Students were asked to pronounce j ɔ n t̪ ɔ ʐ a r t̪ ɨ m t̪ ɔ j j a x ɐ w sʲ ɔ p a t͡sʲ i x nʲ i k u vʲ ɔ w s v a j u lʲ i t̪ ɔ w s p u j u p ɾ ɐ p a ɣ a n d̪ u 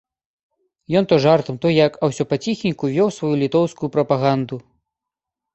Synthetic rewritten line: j ɔ n t̪ ɔ ʐ a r t̪ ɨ m t̪ ɔ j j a k ɐ w sʲ ɔ p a t͡sʲ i x nʲ i k u vʲ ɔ w s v a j u lʲ i t̪ ɔ w s k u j u p ɾ ɐ p a ɣ a n d̪ u